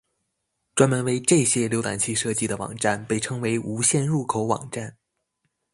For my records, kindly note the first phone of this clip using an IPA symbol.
ʈ͡ʂ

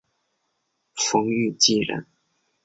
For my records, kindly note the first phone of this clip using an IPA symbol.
f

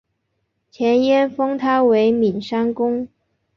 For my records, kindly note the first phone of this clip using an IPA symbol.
t͡ɕʰ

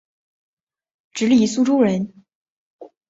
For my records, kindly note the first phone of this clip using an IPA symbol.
ʈ͡ʂ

